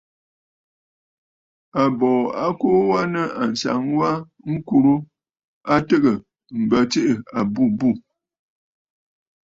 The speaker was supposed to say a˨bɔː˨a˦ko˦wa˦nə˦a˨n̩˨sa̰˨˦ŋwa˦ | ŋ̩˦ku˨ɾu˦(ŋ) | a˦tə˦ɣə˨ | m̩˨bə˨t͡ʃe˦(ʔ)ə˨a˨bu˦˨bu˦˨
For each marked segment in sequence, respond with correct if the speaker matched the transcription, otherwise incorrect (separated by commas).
incorrect, correct